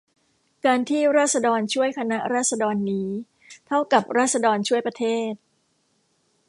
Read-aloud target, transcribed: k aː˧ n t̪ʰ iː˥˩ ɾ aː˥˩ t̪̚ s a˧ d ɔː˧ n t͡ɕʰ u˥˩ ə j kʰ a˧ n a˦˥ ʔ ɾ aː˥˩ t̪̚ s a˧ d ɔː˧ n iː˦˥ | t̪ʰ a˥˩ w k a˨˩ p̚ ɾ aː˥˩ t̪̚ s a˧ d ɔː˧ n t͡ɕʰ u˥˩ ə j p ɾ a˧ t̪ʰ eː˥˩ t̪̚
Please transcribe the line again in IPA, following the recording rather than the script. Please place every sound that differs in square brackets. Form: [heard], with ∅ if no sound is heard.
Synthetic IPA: k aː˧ n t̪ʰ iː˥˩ ɾ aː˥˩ t̪̚ s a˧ d ɔː˧ n t͡ɕʰ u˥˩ ə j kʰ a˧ n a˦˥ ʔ ɾ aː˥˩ t̪̚ s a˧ d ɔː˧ [nː] iː˦˥ | t̪ʰ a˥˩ w k a˨˩ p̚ ɾ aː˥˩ t̪̚ s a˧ d ɔː˧ n t͡ɕʰ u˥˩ ə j p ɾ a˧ t̪ʰ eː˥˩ t̪̚